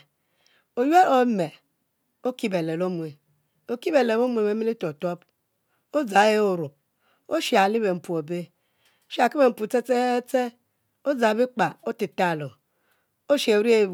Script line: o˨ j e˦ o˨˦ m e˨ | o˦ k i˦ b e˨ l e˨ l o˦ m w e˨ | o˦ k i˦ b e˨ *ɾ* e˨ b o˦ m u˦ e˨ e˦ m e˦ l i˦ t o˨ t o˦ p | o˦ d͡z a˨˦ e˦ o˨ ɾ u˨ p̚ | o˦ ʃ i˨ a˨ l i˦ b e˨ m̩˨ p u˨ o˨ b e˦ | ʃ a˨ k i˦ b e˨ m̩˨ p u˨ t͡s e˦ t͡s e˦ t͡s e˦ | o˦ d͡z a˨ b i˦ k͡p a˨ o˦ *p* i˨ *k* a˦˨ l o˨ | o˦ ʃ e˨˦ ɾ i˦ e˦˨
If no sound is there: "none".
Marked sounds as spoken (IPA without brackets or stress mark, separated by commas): l, t, t